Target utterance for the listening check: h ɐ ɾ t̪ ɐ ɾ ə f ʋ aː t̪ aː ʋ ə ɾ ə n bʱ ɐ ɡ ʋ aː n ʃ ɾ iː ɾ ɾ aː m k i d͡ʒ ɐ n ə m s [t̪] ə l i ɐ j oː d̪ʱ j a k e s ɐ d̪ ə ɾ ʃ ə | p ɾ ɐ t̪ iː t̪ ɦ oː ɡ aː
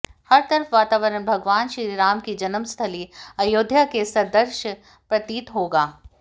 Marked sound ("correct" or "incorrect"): incorrect